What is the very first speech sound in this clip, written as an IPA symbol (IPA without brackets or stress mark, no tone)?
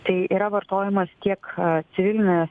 t̪